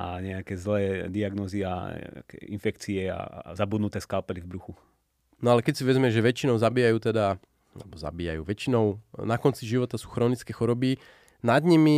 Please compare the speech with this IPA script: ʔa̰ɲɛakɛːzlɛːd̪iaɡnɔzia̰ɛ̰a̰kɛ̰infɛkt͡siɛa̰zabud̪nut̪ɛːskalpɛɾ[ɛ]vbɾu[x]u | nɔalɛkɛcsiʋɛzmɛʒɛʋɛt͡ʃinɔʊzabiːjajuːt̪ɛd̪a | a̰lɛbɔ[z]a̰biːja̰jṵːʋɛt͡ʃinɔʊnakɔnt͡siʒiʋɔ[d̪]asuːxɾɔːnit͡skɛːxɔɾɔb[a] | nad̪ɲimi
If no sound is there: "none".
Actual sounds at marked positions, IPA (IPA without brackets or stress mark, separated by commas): i, x, z, t̪, i